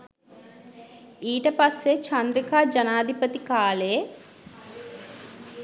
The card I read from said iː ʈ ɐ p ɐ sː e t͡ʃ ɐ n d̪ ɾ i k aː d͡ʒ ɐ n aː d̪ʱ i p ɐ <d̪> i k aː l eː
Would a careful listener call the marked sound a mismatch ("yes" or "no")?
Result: yes